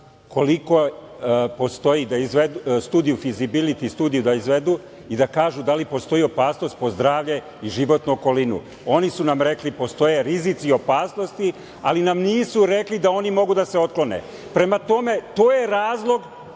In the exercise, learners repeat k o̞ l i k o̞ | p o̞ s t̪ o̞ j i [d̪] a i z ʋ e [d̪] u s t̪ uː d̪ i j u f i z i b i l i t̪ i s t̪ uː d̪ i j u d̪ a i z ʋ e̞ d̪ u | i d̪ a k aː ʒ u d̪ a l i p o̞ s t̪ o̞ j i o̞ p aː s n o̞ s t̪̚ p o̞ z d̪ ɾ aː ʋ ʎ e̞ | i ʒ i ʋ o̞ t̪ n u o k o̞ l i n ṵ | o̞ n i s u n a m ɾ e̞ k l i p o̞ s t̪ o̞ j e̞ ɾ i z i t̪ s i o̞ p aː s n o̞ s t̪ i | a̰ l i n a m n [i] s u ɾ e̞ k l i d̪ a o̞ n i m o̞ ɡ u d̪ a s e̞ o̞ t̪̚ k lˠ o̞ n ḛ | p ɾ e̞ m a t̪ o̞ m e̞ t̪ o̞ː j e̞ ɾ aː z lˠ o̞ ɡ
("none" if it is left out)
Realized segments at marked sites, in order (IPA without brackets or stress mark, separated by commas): d̪, d̪, iː